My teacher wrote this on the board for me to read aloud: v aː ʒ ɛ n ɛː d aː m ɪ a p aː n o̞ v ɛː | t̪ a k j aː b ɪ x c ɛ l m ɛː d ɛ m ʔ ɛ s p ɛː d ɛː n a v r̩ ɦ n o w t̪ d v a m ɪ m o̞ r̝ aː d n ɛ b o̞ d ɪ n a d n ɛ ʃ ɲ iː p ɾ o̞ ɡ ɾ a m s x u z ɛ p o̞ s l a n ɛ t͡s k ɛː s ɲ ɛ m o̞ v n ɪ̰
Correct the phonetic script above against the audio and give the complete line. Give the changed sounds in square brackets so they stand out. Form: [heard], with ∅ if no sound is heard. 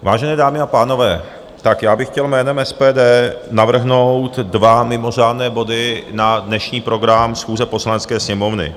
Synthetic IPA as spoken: v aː ʒ ɛ n ɛː d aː m ɪ a p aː n o̞ v ɛː | t̪ a k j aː b ɪ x c ɛ l m ɛː [n] ɛ m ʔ ɛ s p ɛː d ɛː n a v r̩ ɦ n o w t̪ d v a m ɪ m o̞ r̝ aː d n [ɛː] b o̞ d ɪ n a d n ɛ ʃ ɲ iː p ɾ o̞ ɡ ɾ a m s x [uː] z ɛ p o̞ s l a n ɛ t͡s k ɛː s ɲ ɛ m o̞ v n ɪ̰